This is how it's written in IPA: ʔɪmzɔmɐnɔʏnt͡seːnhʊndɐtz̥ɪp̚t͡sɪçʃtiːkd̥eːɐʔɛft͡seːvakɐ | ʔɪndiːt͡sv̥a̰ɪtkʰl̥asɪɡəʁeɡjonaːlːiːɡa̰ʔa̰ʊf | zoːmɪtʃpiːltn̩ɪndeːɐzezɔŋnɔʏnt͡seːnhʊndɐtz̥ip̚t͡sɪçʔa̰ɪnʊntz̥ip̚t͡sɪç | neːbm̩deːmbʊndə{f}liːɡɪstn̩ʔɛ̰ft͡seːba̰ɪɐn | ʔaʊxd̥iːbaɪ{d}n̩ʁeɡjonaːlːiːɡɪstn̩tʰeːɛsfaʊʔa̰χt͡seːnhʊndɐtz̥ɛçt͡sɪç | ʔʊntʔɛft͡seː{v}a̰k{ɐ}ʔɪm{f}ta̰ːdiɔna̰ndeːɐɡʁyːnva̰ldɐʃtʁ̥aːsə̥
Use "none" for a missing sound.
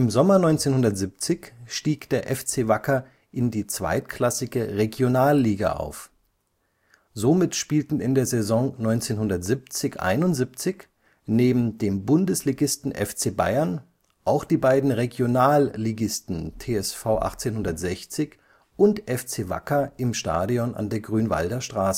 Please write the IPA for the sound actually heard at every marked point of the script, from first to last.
s, d, v, ɐ, ʃ

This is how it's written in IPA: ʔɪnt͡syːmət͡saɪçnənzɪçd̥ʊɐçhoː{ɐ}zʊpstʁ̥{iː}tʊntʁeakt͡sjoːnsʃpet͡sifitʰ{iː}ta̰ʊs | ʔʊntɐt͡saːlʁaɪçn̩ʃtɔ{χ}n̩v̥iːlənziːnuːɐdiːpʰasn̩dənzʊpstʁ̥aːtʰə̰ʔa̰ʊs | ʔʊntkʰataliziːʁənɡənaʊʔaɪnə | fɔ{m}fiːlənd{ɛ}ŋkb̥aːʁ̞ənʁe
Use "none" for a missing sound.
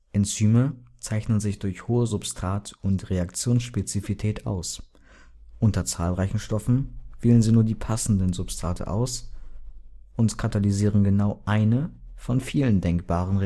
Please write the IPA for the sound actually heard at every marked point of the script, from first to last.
ə, aː, ɛː, f, n, ɛ

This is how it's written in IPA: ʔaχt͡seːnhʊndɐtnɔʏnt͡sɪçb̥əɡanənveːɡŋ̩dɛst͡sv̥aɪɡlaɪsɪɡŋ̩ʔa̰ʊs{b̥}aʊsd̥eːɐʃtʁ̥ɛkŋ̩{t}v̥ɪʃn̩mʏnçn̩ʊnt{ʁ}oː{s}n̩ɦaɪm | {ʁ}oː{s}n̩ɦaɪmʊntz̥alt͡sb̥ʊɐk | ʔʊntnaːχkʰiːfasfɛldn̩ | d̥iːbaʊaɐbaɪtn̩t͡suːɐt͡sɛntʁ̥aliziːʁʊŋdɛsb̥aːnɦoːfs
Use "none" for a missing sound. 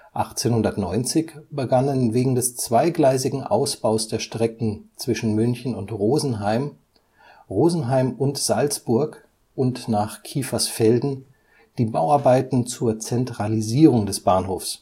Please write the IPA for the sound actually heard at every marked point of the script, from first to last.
b̥, t͡s, ʁ, z, ʁ, z

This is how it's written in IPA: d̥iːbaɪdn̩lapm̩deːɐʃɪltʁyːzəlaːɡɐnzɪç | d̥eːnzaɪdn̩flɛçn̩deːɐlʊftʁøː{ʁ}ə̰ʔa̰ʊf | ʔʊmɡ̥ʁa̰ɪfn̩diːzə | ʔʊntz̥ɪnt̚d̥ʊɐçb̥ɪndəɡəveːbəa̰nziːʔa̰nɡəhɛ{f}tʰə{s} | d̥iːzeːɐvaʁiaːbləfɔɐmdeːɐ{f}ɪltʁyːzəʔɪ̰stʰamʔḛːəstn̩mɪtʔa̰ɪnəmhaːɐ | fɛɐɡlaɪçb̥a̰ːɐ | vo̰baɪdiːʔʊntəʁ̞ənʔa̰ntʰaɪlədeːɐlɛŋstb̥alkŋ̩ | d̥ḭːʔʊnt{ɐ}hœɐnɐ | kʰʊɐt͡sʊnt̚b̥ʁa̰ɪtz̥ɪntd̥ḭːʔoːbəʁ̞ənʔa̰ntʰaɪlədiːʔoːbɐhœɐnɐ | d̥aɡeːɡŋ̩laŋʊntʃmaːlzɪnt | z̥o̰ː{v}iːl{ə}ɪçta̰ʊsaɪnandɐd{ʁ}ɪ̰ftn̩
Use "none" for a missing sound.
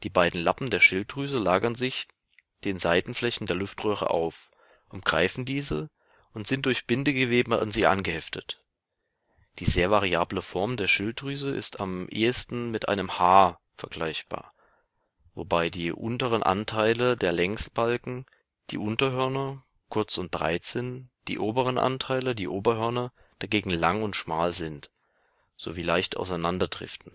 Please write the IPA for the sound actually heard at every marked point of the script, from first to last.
ʁ, f, t, ʃ, ɐ, v, a, ʁ

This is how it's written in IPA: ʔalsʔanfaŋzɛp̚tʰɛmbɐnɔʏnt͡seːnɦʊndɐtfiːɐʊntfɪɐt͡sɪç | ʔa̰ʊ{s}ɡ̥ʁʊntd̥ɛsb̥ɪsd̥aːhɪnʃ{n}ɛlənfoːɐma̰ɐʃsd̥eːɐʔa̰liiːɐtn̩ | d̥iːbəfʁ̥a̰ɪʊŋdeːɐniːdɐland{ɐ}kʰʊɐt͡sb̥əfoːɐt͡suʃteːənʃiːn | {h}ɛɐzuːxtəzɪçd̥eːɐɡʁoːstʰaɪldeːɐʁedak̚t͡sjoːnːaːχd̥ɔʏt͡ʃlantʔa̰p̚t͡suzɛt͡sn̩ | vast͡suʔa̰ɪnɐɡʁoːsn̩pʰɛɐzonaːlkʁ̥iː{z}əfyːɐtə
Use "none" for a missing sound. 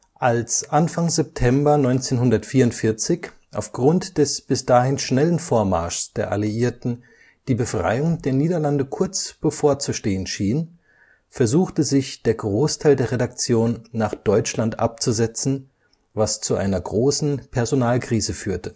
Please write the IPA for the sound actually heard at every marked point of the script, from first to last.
f, n, ə, f, z

